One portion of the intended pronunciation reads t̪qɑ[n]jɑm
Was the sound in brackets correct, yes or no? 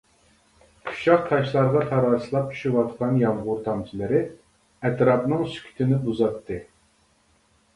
yes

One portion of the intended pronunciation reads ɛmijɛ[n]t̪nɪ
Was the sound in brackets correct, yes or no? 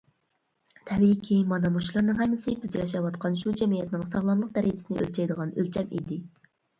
no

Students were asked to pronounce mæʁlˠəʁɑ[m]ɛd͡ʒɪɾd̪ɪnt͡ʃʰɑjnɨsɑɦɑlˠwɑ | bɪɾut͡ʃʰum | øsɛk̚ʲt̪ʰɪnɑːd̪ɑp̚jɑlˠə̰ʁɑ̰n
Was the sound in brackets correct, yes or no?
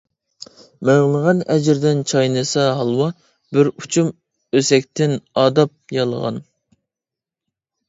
no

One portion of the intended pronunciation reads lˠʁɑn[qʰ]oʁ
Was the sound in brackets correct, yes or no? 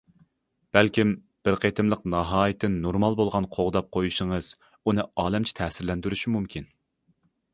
yes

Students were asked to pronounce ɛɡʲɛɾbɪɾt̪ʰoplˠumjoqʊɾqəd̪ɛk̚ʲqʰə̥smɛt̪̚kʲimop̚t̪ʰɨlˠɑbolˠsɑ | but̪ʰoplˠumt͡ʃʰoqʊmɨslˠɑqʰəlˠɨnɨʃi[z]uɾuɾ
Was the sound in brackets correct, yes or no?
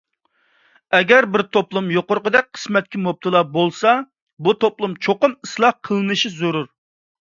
yes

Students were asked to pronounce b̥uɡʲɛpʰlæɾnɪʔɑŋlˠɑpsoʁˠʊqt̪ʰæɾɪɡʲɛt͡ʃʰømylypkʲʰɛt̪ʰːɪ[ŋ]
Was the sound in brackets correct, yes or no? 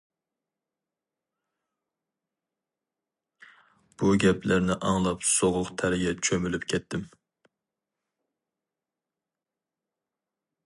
no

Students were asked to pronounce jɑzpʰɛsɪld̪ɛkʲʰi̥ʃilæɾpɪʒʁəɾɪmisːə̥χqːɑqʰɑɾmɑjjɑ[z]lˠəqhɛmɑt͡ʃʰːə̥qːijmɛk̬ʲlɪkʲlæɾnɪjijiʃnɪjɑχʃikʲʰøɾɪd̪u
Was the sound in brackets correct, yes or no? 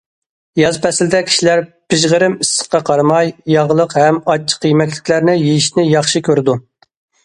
no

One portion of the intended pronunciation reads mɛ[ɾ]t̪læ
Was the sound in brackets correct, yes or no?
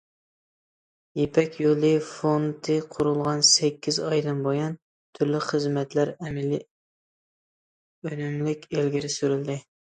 no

